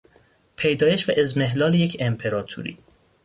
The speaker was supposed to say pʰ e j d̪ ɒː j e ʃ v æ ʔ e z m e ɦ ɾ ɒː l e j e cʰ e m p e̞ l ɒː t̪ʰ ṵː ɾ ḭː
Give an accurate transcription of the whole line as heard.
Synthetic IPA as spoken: pʰ e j d̪ ɒː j e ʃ v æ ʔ e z m e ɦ l ɒː l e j e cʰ e m pʰ e̞ ɾ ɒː t̪ʰ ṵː ɾ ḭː

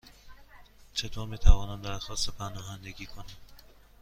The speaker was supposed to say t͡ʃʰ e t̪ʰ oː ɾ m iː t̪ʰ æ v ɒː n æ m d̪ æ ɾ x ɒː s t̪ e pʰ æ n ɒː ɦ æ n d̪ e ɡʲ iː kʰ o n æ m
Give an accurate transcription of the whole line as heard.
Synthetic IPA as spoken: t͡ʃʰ e t̪ʰ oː ɾ m iː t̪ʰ æ v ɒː n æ m d̪ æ ɾ x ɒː s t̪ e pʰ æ n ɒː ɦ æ n d̪ e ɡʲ iː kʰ o n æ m

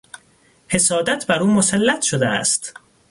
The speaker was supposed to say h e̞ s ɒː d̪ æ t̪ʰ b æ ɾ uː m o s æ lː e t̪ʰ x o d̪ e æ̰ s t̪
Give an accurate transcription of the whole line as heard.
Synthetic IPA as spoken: h e̞ s ɒː d̪ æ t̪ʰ b æ ɾ uː m o s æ lː æ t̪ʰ ʃ o d̪ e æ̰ s t̪

